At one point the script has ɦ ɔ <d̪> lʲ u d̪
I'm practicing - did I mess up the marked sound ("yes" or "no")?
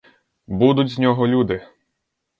yes